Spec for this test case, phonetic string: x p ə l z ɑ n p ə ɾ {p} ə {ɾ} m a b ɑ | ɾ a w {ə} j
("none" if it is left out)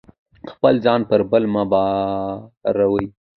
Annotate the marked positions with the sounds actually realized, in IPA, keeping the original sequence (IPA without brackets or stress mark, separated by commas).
b, l, ə